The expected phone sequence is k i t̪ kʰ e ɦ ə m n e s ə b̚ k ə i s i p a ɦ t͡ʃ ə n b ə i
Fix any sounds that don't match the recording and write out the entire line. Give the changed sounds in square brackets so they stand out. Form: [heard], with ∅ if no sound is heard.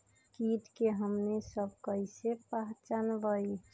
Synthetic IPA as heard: k i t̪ [k] e ɦ ə m n e s ə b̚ k ə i s [e] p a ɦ t͡ʃ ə n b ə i